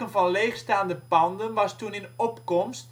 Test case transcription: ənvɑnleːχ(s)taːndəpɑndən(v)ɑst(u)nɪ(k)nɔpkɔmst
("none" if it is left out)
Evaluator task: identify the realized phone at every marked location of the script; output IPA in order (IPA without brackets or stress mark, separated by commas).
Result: s, ʋ, u, none